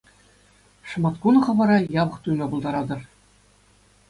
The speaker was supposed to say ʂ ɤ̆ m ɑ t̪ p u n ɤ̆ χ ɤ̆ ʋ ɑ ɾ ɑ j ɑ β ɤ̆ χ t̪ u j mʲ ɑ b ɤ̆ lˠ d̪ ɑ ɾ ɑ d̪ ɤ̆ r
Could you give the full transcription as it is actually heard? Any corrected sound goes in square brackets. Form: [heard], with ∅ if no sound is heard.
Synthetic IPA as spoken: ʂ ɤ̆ m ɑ t̪ [k] u n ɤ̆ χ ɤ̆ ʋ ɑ ɾ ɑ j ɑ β ɤ̆ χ t̪ u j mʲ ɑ b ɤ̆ lˠ d̪ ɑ ɾ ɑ d̪ ɤ̆ r

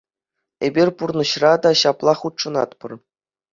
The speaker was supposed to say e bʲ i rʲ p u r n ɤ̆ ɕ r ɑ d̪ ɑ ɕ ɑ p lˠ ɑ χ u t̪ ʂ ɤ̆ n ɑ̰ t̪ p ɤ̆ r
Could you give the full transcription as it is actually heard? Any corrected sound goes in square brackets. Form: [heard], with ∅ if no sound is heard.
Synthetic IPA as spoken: e bʲ i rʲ p u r n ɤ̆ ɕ r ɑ d̪ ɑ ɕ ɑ p lˠ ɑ χ u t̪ ʂ ɤ̆ n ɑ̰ t̪ p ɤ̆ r

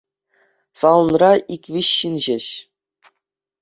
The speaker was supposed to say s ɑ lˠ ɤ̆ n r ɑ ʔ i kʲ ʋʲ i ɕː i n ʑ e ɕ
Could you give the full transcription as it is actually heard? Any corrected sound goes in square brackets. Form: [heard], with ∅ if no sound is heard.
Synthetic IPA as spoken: s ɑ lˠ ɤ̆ n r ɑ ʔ i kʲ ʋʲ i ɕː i n ʑ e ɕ

